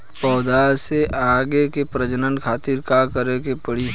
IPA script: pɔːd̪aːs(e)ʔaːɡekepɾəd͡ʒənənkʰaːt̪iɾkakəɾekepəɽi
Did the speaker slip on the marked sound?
no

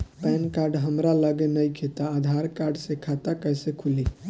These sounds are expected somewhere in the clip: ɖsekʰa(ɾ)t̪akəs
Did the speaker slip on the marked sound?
yes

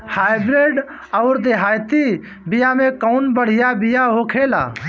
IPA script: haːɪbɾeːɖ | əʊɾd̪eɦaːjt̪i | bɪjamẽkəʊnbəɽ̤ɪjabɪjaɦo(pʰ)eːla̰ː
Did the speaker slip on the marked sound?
yes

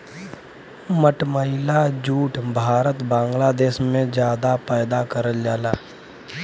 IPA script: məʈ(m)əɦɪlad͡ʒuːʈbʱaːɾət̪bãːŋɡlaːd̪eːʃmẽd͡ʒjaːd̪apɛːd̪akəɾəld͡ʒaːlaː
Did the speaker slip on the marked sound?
no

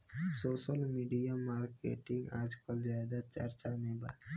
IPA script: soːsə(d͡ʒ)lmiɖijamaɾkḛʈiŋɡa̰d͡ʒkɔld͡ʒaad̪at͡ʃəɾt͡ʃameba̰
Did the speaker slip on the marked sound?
yes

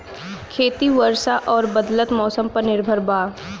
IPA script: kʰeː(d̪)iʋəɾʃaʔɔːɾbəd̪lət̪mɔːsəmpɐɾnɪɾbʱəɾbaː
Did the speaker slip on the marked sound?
yes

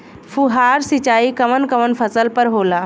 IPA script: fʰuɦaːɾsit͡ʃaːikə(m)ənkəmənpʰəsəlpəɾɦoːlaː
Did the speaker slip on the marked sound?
no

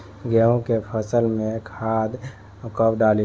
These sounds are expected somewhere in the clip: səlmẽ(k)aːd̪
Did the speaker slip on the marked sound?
yes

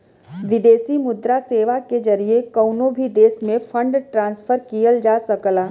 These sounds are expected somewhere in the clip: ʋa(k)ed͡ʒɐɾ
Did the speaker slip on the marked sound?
no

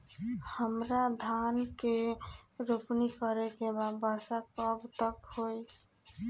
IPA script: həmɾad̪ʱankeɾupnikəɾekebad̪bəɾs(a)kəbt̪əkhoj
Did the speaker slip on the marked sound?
no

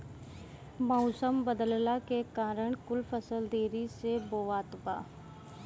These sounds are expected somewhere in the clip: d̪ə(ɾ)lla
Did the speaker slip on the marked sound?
yes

